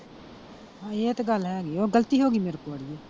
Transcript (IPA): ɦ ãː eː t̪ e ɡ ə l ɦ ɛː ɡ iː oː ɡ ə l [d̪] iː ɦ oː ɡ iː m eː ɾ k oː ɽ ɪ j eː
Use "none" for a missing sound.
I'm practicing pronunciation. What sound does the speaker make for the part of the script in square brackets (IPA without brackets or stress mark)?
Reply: t̪